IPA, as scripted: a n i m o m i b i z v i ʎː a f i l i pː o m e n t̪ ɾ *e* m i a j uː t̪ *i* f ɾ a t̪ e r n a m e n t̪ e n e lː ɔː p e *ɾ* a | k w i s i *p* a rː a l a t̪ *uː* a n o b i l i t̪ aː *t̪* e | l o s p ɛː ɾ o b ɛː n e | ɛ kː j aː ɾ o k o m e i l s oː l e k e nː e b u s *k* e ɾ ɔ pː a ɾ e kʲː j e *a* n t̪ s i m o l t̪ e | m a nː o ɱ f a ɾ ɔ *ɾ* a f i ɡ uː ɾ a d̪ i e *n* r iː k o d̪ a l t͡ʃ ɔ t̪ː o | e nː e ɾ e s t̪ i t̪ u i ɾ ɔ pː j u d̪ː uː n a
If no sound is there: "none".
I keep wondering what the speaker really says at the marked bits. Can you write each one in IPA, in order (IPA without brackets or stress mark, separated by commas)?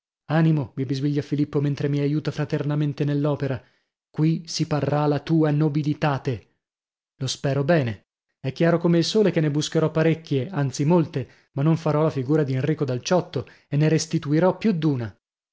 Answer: e, a, ɾ, p, uː, t̪, k, a, l, n